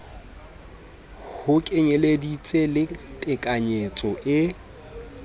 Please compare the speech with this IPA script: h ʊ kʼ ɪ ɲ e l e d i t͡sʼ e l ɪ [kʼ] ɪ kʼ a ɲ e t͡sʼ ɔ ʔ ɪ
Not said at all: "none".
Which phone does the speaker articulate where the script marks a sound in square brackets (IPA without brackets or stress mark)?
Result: tʼ